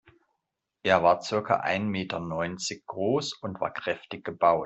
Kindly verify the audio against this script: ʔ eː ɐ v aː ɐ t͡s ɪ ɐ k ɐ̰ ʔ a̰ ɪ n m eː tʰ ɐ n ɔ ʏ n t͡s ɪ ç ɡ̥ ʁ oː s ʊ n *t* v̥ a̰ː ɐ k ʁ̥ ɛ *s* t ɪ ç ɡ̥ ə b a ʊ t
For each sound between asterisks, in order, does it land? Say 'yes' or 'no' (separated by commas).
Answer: yes, no